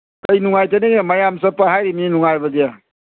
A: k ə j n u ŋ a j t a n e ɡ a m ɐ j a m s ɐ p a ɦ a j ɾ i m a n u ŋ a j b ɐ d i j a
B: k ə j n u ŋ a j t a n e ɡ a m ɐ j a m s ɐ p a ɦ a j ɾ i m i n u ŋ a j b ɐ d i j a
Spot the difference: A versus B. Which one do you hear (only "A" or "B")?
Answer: B